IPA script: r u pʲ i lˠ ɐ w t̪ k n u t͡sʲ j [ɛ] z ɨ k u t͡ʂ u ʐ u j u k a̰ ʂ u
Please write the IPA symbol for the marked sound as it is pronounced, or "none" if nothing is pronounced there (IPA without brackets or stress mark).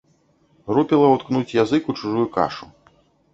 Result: a